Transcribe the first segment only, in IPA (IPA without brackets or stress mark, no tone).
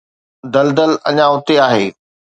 d̪